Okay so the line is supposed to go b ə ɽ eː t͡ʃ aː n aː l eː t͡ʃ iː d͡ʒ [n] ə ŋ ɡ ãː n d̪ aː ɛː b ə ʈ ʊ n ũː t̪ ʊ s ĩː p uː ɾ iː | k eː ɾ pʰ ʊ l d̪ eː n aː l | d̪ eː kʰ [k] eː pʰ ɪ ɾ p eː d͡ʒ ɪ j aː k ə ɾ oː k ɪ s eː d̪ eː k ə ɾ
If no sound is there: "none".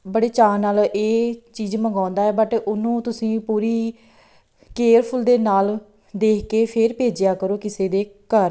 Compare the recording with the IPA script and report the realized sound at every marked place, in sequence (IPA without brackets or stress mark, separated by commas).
m, k